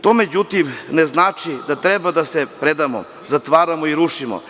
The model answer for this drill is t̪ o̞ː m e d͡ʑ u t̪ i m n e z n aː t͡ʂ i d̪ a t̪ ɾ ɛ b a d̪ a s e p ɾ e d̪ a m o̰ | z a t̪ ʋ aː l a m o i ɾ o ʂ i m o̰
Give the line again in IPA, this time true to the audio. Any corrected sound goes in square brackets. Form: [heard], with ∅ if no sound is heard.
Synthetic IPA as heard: t̪ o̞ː m e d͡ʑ u t̪ i m n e z n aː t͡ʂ i d̪ a t̪ ɾ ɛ b a d̪ a s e p ɾ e d̪ a m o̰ | z a t̪ ʋ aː [ɾ] a m o i ɾ [u] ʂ i m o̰